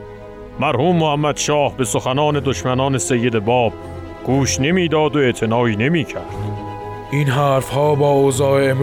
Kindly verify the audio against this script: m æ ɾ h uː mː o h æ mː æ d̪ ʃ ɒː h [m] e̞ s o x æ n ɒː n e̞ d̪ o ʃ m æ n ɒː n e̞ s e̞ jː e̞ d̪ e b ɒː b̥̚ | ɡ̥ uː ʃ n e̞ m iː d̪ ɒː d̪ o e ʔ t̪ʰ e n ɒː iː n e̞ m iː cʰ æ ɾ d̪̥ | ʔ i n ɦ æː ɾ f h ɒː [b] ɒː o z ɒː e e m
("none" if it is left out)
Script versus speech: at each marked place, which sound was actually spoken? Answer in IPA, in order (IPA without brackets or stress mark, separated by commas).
b, b